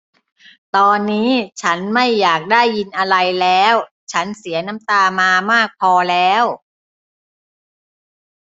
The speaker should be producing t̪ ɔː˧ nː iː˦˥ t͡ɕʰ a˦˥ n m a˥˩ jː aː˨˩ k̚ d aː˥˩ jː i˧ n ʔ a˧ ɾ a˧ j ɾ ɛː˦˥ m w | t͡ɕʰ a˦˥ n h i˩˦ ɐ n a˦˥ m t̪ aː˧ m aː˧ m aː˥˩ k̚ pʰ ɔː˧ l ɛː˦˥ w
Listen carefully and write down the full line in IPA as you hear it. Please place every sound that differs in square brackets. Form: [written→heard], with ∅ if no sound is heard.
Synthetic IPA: t̪ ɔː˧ nː iː˦˥ t͡ɕʰ a˦˥ n m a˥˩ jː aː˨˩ k̚ d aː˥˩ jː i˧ n ʔ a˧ ɾ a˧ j [ɾ→l] ɛː˦˥ [m→∅] w | t͡ɕʰ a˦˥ n [h→s] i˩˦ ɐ n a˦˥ m t̪ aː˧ m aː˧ m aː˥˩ k̚ pʰ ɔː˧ l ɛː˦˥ w

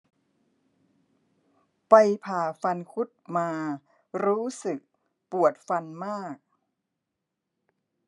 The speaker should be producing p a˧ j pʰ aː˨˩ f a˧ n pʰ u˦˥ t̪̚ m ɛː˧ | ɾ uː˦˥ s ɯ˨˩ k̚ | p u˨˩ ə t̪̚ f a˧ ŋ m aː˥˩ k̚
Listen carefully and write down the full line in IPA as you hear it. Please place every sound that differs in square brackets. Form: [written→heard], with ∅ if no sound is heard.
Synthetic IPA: p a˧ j pʰ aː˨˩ f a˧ n [pʰ→kʰ] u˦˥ t̪̚ m [ɛː˧→aː˧] | ɾ uː˦˥ s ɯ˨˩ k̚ | p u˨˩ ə t̪̚ f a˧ [ŋ→n] m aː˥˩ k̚

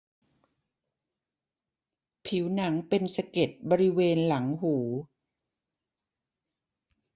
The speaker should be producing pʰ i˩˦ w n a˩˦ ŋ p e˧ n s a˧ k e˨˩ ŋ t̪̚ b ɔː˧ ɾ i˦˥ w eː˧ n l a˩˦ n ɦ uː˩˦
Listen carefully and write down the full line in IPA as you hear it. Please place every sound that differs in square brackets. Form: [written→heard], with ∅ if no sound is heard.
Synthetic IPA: pʰ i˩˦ w n a˩˦ ŋ p e˧ n s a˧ k e˨˩ [ŋ→∅] t̪̚ b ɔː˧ ɾ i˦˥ w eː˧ n l a˩˦ [n→ŋ] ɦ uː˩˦

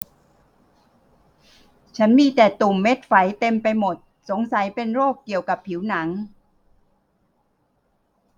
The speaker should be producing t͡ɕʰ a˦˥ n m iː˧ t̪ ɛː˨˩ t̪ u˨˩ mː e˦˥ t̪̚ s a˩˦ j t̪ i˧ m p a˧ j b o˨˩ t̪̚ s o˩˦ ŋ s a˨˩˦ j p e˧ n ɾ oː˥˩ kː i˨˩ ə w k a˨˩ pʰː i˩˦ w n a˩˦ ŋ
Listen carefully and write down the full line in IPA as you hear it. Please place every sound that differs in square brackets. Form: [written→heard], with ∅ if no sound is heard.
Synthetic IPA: t͡ɕʰ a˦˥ n m iː˧ t̪ ɛː˨˩ t̪ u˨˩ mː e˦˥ t̪̚ [s→f] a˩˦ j t̪ [i˧→e˧] m p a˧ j [b→m] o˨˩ t̪̚ s o˩˦ ŋ s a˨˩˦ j p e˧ n ɾ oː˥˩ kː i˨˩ ə w k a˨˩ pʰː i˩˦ w n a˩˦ ŋ

